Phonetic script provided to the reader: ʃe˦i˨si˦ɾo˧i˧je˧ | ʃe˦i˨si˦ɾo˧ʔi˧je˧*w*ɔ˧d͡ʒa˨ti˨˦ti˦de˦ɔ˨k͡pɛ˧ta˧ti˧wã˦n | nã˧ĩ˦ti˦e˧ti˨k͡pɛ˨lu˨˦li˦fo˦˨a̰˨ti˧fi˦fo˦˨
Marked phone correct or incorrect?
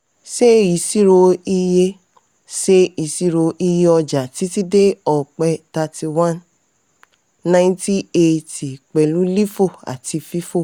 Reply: incorrect